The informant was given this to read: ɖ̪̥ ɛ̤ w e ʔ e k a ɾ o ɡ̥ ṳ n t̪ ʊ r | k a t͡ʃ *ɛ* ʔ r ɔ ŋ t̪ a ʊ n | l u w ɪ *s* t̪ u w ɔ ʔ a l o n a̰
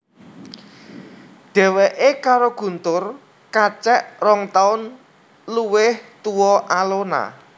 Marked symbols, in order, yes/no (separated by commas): yes, no